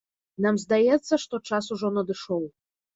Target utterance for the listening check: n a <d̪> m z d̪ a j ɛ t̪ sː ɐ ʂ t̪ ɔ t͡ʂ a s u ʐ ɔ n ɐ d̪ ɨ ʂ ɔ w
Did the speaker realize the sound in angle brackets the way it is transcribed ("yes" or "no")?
no